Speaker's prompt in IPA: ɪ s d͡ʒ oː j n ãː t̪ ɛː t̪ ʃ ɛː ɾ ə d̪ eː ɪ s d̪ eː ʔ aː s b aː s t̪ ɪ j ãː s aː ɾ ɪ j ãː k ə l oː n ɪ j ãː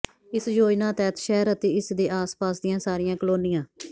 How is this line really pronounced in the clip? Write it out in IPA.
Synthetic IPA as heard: ɪ s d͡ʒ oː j n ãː t̪ ɛː t̪ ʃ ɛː ɾ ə t̪ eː ɪ s d̪ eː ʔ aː s p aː s d̪ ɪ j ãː s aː ɾ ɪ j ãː k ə l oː n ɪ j ãː